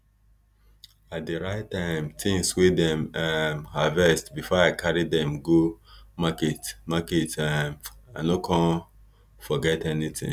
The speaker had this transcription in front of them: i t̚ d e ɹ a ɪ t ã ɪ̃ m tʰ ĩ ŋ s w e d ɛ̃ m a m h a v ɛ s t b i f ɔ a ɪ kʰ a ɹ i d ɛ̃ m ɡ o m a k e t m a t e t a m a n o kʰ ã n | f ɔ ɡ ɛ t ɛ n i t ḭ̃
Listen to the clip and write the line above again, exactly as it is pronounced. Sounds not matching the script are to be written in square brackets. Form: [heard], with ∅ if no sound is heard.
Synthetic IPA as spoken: [a] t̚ d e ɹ a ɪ t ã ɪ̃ m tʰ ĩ ŋ s w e d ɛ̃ m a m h a v ɛ s t b i f ɔ a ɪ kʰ a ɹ i d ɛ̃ m ɡ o m a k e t m a [k] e t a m a n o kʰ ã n | f ɔ ɡ ɛ t ɛ n i t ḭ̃